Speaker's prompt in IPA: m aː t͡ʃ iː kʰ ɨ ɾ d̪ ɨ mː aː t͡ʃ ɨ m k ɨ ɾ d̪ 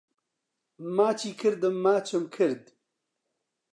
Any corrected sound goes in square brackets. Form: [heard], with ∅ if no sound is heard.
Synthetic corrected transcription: m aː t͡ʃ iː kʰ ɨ ɾ d̪ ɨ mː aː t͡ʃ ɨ m [kʰ] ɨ ɾ d̪